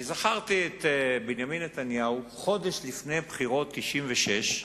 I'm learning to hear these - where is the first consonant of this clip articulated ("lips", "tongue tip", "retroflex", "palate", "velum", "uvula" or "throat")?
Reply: tongue tip